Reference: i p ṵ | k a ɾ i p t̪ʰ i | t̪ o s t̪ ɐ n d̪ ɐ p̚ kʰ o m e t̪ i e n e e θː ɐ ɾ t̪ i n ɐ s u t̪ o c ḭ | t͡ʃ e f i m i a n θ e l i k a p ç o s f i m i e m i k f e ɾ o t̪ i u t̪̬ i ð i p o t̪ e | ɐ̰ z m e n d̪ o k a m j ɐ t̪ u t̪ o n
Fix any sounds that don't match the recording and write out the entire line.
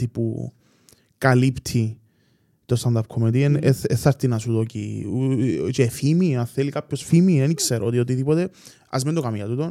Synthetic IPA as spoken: i p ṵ | k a l i p t̪ʰ i | t̪ o s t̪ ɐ n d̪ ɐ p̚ kʰ o m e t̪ i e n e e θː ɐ ɾ t̪ i n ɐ s u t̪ o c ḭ | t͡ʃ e f i m i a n θ e l i k a p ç o s f i m i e n i k s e ɾ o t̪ i o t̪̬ i ð i p o t̪ e | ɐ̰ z m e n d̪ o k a m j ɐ t̪ u t̪ o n